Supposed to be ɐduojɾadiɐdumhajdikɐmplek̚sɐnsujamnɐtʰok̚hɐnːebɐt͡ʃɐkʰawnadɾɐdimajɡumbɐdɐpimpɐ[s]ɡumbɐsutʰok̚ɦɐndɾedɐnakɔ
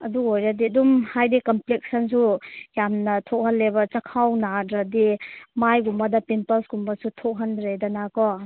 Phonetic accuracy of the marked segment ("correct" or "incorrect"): correct